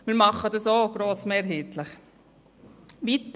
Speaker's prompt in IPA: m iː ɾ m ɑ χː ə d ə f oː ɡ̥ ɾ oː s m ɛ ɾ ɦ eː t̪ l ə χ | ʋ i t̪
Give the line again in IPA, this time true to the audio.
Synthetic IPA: m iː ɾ m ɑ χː ə d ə s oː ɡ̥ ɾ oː s m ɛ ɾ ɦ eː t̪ l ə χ | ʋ i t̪